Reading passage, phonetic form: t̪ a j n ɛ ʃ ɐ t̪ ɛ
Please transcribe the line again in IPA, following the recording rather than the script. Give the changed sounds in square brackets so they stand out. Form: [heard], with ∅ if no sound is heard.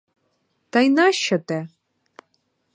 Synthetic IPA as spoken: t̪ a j n [a] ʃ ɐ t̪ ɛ